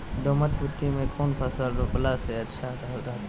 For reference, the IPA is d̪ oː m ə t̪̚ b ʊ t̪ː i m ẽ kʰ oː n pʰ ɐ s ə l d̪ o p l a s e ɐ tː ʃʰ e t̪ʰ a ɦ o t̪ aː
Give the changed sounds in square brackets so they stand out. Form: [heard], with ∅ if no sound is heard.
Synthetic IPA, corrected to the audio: d̪ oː m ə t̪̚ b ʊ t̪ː i m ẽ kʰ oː n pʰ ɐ s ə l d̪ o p l a s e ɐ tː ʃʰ [a] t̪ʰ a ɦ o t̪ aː